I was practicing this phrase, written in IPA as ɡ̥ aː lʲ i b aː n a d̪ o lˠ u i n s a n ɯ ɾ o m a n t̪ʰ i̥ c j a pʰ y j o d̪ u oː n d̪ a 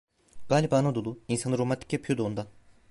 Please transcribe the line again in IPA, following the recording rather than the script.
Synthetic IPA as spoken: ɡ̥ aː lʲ i b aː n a d̪ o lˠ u i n s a n ɯ ɾ o m a n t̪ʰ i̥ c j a pʰ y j o d̪ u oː n d̪ a